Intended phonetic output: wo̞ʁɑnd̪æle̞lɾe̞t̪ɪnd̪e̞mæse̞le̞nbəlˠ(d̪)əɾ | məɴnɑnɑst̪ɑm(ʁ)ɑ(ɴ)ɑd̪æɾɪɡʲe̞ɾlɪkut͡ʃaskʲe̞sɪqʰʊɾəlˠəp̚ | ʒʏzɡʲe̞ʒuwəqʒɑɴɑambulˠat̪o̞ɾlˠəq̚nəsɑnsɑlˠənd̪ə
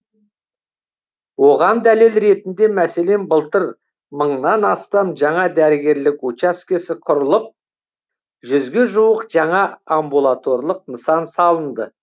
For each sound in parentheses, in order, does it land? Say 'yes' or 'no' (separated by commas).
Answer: no, no, yes